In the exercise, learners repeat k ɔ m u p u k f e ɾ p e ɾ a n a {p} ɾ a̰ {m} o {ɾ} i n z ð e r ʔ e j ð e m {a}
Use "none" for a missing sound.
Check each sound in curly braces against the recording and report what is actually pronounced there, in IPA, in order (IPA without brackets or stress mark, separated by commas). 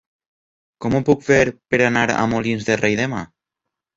none, m, l, a